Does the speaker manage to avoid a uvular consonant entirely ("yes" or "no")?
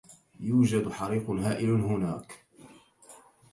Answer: no